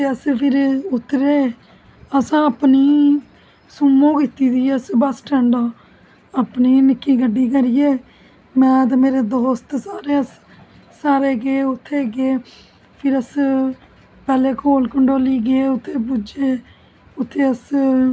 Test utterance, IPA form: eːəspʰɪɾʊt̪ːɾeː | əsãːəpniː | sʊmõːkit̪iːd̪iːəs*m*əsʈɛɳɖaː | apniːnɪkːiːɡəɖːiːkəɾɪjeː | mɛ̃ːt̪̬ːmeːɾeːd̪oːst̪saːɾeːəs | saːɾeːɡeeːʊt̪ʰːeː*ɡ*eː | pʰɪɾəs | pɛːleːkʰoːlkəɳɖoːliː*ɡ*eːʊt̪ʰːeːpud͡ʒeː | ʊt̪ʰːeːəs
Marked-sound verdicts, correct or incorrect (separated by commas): incorrect, correct, correct